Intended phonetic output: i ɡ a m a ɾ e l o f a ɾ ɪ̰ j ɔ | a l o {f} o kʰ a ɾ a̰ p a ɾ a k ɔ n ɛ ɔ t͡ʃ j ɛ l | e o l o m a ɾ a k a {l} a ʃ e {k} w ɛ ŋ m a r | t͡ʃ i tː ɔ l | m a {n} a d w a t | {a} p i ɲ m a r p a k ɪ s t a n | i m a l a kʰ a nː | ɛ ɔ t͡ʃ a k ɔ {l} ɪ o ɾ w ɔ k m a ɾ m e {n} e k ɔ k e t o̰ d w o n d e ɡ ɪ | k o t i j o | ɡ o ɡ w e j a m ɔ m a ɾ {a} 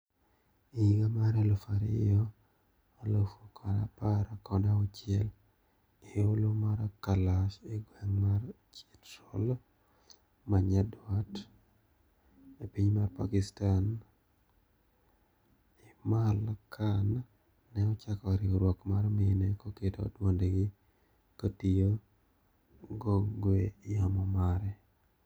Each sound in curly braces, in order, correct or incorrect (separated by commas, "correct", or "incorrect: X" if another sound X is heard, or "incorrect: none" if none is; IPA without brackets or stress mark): correct, correct, incorrect: ɡ, incorrect: ɲ, incorrect: e, incorrect: ɾ, correct, incorrect: ɛ